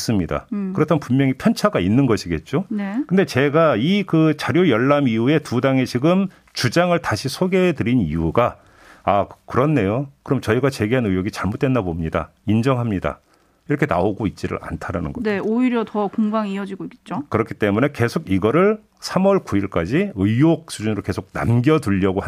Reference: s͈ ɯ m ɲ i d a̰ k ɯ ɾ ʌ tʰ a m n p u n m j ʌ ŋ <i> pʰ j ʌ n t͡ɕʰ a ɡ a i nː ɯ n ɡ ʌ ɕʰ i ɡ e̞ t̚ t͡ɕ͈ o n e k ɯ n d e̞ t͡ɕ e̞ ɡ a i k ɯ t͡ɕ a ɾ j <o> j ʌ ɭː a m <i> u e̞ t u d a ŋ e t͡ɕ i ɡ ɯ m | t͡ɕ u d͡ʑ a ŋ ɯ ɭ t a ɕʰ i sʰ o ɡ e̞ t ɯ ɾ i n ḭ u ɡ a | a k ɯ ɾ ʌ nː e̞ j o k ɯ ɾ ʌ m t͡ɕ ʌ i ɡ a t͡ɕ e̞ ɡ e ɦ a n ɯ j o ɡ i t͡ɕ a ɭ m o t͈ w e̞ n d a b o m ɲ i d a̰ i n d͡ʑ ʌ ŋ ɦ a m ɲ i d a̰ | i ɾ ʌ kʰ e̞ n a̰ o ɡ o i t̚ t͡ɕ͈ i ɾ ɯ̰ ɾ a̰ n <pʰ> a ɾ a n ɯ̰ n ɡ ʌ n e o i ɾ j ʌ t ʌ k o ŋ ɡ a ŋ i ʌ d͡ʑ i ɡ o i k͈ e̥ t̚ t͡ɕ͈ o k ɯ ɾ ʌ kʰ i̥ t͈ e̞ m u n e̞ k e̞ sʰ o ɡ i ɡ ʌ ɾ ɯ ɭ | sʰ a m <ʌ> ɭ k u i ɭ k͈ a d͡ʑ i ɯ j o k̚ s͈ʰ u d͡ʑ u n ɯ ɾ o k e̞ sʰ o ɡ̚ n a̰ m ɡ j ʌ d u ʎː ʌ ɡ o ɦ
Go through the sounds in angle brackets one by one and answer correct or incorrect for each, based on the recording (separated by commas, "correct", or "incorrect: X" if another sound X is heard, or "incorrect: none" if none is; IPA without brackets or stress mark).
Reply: correct, correct, correct, incorrect: tʰ, correct